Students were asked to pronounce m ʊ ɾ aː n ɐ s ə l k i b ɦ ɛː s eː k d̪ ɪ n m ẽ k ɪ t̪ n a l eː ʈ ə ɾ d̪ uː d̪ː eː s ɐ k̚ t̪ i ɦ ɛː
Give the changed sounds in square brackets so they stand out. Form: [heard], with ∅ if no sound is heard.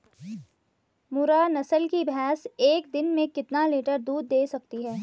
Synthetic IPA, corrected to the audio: m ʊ ɾ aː n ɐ s ə l k i b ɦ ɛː s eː k d̪ ɪ n m ẽ k ɪ t̪ n a l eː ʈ ə ɾ d̪ uː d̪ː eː s ɐ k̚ t̪ i ɦ ɛː